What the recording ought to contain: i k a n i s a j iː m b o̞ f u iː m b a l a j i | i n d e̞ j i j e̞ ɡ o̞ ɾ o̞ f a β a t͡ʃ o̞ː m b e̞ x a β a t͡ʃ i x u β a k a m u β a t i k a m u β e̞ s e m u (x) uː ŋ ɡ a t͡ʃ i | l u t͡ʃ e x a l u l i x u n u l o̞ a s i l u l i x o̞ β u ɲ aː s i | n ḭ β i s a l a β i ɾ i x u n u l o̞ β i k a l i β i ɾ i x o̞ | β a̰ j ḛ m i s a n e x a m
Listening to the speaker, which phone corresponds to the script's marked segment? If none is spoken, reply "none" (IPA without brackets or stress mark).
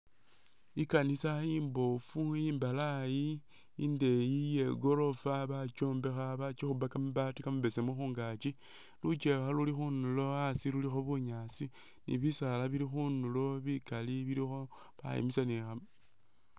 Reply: x